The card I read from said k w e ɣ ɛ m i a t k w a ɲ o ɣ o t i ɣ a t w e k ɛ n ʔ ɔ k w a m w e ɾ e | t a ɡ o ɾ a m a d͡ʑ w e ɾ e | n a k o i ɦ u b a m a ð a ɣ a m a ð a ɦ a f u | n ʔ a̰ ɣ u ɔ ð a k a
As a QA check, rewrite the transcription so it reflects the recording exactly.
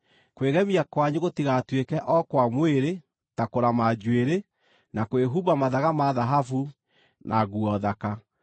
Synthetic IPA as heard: k w e ɣ ɛ m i a k w a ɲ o ɣ o t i ɣ a t w e k ɛ ʔ ɔ k w a m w e ɾ e | t a k o ɾ a m a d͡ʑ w e ɾ e | n a k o e ɦ u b a m a ð a ɣ a m a ð a ɦ a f u | n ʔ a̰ ɣ u ɔ ð a k a